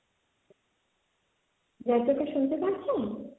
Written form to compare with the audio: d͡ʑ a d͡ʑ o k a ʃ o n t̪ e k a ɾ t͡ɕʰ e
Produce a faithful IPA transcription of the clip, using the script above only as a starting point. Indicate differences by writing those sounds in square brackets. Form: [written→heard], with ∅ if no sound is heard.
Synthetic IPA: d͡ʑ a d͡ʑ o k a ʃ [o→u] n t̪ e [k→p] a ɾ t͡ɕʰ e